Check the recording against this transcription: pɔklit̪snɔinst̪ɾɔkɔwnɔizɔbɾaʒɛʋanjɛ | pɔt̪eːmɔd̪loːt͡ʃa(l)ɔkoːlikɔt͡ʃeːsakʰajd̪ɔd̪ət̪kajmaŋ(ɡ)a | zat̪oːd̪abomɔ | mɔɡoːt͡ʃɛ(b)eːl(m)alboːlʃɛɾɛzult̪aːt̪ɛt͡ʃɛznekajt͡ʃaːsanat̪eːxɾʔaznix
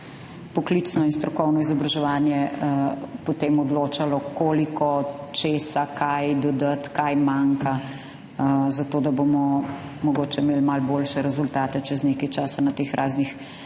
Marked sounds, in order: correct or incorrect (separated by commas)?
correct, incorrect, incorrect, correct